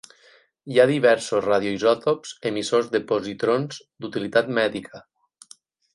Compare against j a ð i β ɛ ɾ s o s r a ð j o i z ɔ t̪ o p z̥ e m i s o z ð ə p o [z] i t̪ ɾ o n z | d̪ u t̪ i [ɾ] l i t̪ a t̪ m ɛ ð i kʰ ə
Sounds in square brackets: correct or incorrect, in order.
correct, incorrect

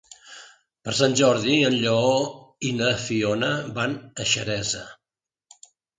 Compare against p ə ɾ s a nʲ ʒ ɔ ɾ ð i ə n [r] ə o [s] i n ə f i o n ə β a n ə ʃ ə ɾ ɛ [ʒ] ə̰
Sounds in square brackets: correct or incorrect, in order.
incorrect, incorrect, incorrect

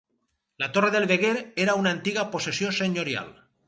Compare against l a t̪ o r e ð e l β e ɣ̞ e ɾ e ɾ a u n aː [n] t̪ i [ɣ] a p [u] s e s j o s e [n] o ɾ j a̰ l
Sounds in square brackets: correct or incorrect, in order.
correct, correct, incorrect, incorrect

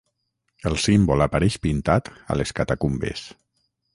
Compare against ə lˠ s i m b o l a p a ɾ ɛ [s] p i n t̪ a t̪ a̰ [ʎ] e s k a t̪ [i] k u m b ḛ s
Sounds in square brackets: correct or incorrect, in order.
incorrect, incorrect, incorrect

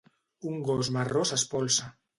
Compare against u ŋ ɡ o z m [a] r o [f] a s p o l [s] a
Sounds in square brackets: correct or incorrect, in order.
correct, incorrect, correct

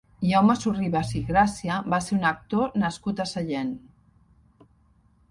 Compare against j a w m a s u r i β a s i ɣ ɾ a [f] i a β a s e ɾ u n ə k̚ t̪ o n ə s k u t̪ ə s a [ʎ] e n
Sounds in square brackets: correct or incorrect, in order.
incorrect, correct

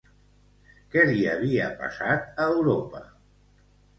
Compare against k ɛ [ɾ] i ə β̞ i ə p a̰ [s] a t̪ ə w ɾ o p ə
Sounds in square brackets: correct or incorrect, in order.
incorrect, correct

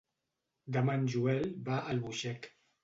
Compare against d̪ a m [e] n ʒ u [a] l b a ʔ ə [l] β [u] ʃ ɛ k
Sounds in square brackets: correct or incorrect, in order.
incorrect, incorrect, correct, correct

